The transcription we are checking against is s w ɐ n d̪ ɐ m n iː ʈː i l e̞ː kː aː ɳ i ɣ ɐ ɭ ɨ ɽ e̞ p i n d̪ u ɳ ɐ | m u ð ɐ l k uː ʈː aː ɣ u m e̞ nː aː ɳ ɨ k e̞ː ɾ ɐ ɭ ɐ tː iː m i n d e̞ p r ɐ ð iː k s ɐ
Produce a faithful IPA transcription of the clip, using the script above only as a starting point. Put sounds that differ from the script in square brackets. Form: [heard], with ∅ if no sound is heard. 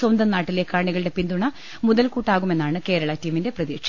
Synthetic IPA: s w ɐ n d̪ ɐ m n [aː] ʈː i l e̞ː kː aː ɳ i ɣ ɐ ɭ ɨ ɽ e̞ p i n d̪ u ɳ ɐ | m u ð ɐ l k uː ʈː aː ɣ u m e̞ nː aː ɳ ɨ k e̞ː ɾ ɐ ɭ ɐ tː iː m i n d e̞ p r ɐ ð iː k [ʂ] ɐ